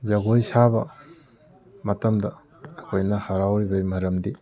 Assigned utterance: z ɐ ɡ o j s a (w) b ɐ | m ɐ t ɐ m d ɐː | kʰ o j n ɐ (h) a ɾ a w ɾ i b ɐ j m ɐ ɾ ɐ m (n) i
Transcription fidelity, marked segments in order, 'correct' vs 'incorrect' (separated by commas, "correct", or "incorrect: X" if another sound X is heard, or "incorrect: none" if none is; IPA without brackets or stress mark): incorrect: none, correct, incorrect: d